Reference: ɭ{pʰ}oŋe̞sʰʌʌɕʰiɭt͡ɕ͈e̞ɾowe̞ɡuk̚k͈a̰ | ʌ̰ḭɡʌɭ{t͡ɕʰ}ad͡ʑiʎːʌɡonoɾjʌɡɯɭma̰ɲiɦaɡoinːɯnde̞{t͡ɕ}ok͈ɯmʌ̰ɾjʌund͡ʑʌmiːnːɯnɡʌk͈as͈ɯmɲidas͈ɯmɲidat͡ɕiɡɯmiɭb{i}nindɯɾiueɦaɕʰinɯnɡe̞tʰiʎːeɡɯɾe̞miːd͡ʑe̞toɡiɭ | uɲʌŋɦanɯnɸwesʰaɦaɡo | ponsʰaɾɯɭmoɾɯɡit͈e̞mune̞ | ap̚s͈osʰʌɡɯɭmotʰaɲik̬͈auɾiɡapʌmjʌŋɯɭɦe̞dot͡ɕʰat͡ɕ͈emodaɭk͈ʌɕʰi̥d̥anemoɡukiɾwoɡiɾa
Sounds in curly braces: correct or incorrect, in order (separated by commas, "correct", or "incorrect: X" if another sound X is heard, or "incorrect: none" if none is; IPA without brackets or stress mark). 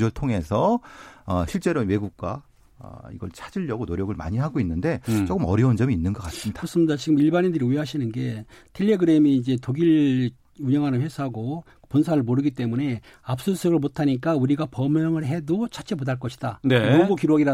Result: incorrect: tʰ, correct, correct, incorrect: a